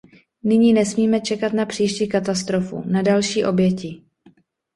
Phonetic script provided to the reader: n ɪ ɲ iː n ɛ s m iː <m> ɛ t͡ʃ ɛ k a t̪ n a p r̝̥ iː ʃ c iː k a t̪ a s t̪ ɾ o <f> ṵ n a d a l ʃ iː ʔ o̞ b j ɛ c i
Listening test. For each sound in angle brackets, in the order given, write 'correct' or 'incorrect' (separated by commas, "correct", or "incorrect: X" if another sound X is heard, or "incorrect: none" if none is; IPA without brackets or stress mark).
correct, correct